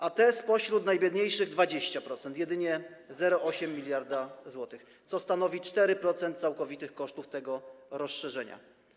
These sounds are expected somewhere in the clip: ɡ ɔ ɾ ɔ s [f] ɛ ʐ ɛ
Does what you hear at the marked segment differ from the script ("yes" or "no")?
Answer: yes